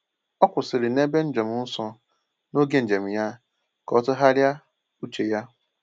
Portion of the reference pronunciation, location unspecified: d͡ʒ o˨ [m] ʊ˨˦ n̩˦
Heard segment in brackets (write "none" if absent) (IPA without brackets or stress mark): m